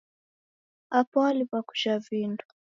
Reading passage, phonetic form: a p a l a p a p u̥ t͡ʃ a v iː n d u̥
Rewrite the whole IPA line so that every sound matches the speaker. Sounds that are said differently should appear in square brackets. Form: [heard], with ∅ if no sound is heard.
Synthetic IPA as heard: a p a l [i] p a [k] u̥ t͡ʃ a v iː n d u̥

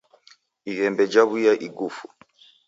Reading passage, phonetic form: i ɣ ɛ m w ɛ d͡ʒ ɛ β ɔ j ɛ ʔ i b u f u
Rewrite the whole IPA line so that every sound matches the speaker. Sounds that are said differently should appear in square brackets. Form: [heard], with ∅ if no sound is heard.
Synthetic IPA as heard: i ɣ ɛ m [b] ɛ d͡ʒ [a] β [u] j [a] ʔ i [ɡ] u f u

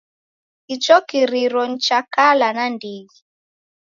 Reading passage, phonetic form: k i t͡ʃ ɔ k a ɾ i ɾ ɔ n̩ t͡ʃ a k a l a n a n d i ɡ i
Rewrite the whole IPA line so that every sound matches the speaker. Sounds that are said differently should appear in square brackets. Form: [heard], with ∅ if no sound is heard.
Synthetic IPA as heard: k i t͡ʃ ɔ k [i] ɾ i ɾ ɔ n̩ t͡ʃ a k a l a n a n d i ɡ i

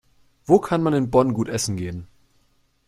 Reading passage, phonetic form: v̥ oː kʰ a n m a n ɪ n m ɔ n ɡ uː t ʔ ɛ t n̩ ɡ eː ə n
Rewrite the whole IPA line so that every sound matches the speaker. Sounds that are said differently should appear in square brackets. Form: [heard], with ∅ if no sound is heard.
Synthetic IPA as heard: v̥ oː kʰ a n m a n ɪ n [b] ɔ n ɡ uː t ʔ ɛ [s] n̩ ɡ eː ə n

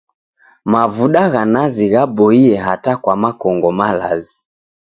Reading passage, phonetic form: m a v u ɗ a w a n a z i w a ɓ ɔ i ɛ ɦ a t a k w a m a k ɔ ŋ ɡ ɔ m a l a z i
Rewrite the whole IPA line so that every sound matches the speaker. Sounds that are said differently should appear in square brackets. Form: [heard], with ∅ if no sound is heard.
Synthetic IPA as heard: m a v u ɗ a [ɣ] a n a z i [ɣ] a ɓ ɔ i ɛ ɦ a t a k w a m a k ɔ ŋ ɡ ɔ m a l a z i

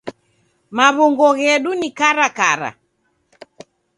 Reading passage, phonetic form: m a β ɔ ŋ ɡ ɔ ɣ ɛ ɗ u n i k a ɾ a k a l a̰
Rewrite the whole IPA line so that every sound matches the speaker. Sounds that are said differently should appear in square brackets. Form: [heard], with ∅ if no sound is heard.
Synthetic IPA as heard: m a β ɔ ŋ ɡ ɔ ɣ ɛ ɗ u n i k a ɾ a k a [ɾ] a̰

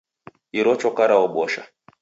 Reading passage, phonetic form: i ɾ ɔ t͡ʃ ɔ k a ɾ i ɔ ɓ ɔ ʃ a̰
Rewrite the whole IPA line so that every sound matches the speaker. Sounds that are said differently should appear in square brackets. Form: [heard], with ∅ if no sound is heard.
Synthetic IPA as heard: i ɾ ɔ t͡ʃ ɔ k a ɾ [a] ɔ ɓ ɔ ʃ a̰

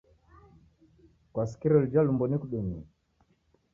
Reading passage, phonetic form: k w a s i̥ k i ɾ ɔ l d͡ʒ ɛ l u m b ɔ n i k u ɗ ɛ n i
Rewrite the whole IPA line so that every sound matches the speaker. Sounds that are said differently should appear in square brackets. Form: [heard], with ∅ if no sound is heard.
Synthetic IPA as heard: k w a s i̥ k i ɾ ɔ l d͡ʒ [a] l u m b ɔ n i k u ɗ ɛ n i

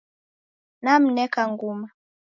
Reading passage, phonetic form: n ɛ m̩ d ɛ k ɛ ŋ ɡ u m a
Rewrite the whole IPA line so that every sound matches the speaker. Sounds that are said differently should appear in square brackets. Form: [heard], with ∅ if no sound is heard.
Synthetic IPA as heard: n [a] m̩ [n] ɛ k [a] ŋ ɡ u m a

